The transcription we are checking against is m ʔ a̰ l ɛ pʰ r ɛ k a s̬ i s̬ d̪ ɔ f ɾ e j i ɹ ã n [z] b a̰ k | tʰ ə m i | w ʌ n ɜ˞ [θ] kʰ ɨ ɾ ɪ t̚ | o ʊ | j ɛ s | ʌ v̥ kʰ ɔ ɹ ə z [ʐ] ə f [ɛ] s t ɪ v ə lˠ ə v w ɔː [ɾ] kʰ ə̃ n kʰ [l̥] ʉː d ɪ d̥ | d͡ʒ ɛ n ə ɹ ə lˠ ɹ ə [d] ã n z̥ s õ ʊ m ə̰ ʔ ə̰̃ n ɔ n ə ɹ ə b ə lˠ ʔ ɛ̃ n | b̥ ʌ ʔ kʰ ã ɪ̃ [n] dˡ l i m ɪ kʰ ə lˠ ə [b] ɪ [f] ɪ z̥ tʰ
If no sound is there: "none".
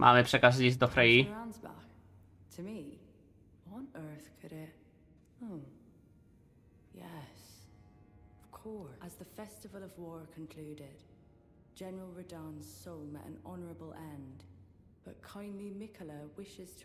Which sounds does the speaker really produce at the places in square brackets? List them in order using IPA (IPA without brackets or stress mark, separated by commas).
z, θ, ð, ɛ, ɹ, l̥, d, n, w, ʃ